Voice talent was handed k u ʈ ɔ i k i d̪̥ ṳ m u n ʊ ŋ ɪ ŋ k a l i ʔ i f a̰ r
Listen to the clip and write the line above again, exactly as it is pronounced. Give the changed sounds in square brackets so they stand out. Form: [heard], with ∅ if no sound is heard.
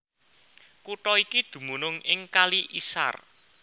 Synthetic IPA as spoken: k u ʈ ɔ i k i d̪̥ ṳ m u n ʊ ŋ ɪ ŋ k a l i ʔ i [s] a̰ r

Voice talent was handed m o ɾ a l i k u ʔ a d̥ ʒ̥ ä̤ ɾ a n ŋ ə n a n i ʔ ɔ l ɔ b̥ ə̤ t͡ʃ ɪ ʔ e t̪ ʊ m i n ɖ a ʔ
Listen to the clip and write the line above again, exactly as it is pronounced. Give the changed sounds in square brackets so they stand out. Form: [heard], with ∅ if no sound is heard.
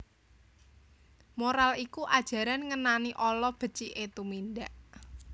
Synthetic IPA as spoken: m o ɾ a l i k u ʔ a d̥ ʒ̥ ä̤ ɾ a n ŋ ə n a n i ʔ ɔ l ɔ b̥ ə̤ t͡ʃ [i] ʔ e t̪ [u] m i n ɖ a ʔ

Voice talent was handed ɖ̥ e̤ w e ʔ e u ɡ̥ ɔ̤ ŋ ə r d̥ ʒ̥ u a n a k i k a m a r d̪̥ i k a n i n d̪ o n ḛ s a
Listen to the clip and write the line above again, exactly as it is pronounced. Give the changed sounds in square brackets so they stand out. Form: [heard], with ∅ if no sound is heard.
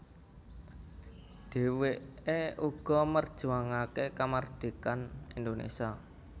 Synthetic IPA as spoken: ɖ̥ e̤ w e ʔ e u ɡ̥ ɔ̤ [m] ə r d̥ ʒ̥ u a [ŋ] a k [e] k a m a r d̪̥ i k a n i n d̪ o n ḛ s a

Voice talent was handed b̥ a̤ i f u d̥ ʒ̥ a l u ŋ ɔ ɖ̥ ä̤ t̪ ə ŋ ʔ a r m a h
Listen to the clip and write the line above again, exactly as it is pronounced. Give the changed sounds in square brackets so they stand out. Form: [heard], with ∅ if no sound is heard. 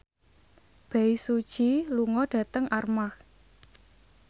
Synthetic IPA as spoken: b̥ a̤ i [s] u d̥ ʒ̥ [i] l u ŋ ɔ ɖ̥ ä̤ t̪ ə ŋ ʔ a r m a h

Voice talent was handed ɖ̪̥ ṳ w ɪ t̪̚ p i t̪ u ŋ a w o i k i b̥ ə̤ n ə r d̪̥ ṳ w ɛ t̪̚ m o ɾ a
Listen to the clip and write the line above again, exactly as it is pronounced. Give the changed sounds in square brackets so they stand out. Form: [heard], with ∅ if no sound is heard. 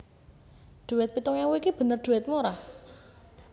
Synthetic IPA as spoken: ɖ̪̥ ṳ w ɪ t̪̚ p i t̪ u ŋ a w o i k i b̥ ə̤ n ə r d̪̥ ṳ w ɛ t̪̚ m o ɾ a

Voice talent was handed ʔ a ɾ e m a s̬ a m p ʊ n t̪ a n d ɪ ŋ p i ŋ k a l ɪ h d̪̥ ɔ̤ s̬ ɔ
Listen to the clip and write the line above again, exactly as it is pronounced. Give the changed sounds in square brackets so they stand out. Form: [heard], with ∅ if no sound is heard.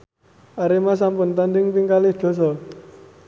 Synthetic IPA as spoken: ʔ a ɾ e m a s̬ a m p ʊ n t̪ a n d ɪ ŋ p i ŋ k a l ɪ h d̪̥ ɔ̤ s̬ ɔ

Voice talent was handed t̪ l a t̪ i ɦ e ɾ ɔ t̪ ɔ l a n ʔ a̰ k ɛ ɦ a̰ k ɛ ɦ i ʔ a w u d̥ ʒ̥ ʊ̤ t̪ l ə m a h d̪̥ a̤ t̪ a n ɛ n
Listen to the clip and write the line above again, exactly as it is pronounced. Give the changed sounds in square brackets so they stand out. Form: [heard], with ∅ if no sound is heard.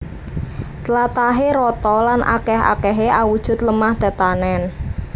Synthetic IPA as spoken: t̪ l a t̪ [a] ɦ e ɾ ɔ t̪ ɔ l a n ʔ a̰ k ɛ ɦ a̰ k ɛ ɦ [e] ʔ a w u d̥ ʒ̥ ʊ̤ t̪ l ə m a h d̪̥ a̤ t̪ a n ɛ n

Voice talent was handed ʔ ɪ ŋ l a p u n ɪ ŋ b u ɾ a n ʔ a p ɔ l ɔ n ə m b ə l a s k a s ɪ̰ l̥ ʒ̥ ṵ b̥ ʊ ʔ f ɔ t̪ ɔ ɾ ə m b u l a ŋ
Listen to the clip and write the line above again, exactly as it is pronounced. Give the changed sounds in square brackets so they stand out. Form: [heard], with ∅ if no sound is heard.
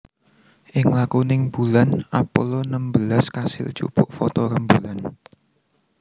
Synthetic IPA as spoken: ʔ ɪ ŋ l a [k] u n ɪ ŋ b u [l] a n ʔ a p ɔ l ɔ n ə m b ə l a s k a s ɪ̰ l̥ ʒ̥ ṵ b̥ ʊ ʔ f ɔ t̪ ɔ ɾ ə m b u l a [n]

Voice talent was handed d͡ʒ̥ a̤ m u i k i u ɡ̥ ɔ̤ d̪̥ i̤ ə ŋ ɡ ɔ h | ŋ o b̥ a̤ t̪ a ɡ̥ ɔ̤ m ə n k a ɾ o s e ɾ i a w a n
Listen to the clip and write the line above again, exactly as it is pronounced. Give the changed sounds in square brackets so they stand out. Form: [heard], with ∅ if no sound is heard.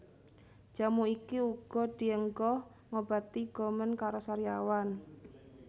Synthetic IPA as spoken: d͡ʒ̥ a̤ m u i k i u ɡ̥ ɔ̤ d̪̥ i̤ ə ŋ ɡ ɔ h | ŋ o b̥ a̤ t̪ [i] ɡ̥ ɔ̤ m ə n k a ɾ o s [a] ɾ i a w a n

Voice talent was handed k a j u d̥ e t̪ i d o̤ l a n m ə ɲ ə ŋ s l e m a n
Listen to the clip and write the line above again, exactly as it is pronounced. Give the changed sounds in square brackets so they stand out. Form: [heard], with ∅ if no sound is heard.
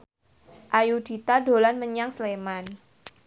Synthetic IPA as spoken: [ʔ] a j u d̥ [i] t̪ [a] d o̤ l a n m ə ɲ [a] ŋ s l e m a n

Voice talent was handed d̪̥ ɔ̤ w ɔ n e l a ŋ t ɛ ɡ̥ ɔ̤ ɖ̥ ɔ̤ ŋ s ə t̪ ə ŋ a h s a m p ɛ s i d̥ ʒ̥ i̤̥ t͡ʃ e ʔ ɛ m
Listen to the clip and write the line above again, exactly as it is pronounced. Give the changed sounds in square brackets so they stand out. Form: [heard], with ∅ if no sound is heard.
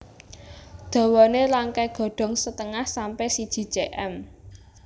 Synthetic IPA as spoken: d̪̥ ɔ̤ w ɔ n e l a ŋ [k] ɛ ɡ̥ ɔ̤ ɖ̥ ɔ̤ ŋ s ə t̪ ə ŋ a h s a m p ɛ s i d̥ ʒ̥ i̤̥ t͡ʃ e ʔ ɛ m

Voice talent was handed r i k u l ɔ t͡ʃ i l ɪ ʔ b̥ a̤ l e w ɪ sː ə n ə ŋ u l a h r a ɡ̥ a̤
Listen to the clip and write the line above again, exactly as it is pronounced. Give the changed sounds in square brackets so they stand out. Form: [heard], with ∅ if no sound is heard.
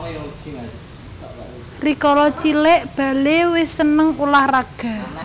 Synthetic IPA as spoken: r i k [ɔ] l ɔ t͡ʃ i l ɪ ʔ b̥ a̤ l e w ɪ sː ə n ə ŋ u l a h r a ɡ̥ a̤

